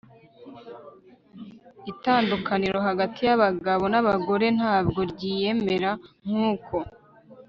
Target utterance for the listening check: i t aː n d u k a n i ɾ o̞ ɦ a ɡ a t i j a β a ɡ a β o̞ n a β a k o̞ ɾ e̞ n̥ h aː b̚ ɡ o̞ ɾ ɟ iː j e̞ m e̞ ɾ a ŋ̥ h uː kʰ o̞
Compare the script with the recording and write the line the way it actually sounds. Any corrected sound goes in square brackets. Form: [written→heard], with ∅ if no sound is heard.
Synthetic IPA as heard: i t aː n d u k a n i ɾ o̞ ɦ a ɡ a t i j a β a ɡ a β o̞ n a β a [k→ɡ] o̞ ɾ e̞ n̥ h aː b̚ ɡ o̞ ɾ ɟ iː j e̞ m e̞ ɾ a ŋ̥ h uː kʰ o̞